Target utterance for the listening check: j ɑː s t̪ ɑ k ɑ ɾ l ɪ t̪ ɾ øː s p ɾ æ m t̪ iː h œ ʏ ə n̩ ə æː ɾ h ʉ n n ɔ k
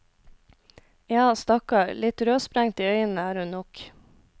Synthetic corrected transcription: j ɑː s t̪ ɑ k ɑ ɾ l ɪ t̪ ɾ øː s p ɾ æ ŋ t̪ iː œ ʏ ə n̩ ə æː ɾ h ʉ n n ɔ k